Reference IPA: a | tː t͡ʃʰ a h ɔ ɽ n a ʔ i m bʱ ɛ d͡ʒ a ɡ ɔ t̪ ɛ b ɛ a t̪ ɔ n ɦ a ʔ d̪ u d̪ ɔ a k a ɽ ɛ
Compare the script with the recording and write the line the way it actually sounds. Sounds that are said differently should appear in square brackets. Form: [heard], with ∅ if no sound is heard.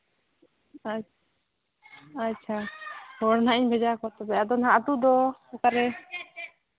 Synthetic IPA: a | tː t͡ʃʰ a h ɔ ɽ n a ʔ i [ɲ] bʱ ɛ d͡ʒ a [k] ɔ t̪ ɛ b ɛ a [d̪] ɔ n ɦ a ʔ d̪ u d̪ ɔ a k a [ɾ] ɛ